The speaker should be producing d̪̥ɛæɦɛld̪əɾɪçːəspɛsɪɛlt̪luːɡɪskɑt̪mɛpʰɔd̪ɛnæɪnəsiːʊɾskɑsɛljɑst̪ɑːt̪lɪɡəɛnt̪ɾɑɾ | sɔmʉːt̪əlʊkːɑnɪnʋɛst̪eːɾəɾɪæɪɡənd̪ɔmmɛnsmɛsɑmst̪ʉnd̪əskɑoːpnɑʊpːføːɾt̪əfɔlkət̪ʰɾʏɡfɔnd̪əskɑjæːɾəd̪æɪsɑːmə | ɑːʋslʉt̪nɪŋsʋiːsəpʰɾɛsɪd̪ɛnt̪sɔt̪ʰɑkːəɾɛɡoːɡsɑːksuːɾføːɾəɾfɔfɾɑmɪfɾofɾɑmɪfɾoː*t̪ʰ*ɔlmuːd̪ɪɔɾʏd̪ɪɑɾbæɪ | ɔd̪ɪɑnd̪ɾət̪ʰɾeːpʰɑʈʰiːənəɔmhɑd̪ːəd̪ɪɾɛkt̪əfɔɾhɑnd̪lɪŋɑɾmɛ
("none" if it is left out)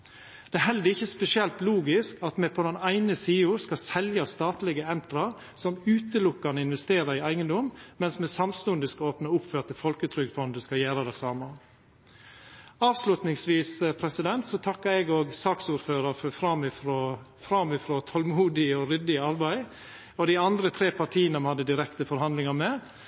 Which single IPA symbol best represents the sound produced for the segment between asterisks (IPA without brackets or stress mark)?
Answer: t̪ʰ